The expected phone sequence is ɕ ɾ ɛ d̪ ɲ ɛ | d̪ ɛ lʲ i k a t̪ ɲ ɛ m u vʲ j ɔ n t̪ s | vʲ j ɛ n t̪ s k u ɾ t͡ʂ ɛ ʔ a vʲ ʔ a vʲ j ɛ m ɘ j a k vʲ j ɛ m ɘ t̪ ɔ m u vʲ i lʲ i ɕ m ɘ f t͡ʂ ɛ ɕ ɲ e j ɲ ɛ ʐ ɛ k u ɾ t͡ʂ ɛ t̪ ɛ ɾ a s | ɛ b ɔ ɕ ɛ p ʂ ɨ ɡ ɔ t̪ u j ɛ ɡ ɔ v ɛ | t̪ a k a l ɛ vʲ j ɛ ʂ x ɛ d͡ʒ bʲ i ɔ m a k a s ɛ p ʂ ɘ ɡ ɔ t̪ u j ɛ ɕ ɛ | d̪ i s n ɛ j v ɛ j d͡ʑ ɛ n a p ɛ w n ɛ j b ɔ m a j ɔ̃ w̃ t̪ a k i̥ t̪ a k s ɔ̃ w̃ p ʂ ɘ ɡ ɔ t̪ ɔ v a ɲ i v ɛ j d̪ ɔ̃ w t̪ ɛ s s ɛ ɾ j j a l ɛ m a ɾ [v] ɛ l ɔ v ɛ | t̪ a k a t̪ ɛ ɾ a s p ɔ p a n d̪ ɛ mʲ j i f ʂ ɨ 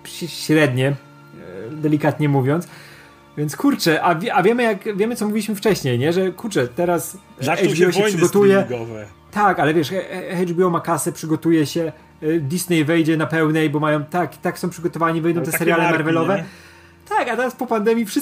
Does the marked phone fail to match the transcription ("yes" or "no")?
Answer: no